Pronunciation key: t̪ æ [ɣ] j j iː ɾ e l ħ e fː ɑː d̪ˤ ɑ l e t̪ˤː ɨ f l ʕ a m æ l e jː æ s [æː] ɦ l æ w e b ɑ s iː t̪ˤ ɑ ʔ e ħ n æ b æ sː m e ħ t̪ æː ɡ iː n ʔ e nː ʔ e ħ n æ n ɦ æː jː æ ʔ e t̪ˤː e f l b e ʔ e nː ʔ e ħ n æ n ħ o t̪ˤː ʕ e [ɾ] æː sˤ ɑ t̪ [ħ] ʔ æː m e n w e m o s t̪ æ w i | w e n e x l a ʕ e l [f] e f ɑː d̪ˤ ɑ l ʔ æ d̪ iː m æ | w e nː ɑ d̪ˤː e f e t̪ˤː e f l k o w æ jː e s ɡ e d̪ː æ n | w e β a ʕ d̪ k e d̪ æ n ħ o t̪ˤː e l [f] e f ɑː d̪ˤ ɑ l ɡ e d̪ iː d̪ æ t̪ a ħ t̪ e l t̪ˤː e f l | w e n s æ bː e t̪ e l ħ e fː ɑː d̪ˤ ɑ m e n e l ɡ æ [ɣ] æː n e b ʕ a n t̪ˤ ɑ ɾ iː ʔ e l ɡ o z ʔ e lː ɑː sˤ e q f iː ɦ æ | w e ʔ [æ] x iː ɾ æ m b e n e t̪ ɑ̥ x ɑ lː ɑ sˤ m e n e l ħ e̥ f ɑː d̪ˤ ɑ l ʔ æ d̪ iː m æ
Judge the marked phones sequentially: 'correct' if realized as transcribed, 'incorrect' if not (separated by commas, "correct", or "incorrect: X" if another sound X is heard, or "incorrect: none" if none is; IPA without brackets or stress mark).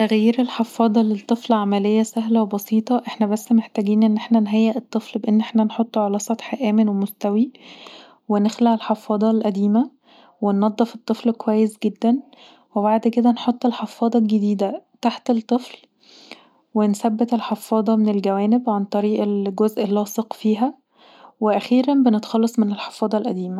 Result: correct, incorrect: æ, incorrect: l, correct, incorrect: ħ, incorrect: ħ, incorrect: w, correct